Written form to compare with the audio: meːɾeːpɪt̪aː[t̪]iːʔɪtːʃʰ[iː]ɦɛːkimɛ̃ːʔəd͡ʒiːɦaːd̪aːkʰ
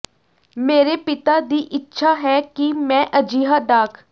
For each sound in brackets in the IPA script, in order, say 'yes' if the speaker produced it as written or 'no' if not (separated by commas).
no, no